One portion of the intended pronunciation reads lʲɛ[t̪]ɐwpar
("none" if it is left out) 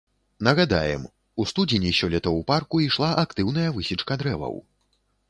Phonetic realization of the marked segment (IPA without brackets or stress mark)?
t̪